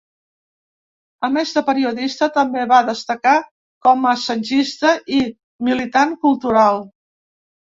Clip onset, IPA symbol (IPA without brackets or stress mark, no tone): ə